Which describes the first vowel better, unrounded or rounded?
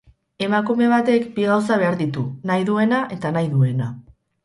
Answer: unrounded